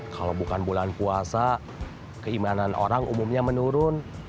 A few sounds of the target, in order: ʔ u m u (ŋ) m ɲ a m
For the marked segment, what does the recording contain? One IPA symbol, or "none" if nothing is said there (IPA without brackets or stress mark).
none